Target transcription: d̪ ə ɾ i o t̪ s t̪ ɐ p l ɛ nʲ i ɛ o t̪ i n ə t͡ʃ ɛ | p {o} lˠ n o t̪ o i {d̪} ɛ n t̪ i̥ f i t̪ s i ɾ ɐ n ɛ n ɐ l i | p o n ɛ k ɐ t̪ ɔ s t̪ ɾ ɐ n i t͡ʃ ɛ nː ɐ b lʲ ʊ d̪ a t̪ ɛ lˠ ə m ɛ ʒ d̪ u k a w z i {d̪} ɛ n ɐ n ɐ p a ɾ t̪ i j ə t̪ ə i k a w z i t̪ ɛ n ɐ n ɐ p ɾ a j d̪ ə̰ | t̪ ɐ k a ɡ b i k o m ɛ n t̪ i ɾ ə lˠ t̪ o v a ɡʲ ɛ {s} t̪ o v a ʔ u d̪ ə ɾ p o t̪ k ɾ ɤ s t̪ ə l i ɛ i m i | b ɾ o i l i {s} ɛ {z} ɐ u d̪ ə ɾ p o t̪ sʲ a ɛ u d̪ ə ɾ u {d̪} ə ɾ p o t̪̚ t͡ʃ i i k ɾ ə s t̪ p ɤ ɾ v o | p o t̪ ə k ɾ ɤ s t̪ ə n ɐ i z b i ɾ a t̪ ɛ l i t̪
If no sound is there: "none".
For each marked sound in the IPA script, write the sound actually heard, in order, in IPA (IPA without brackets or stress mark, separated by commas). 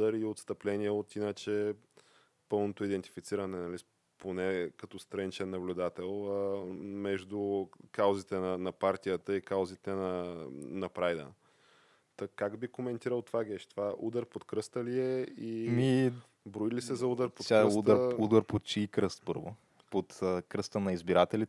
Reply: ɤ, d̪, t̪, ʃ, s, z, d̪